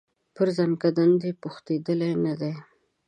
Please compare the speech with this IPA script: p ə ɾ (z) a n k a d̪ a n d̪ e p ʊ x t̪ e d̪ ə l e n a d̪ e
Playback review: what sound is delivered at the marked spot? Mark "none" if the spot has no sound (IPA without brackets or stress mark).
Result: z